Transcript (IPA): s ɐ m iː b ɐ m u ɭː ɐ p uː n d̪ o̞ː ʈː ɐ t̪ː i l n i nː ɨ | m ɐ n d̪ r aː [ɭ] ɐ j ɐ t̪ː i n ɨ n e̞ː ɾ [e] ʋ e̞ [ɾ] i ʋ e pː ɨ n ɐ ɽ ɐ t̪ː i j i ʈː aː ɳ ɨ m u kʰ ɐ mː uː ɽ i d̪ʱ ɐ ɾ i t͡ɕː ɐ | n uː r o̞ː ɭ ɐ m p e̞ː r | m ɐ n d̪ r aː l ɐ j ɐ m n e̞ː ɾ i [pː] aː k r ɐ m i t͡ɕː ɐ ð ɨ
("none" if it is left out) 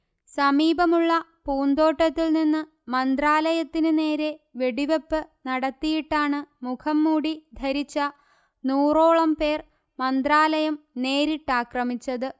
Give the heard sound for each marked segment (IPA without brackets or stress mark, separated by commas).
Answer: l, e, ɽ, ʈː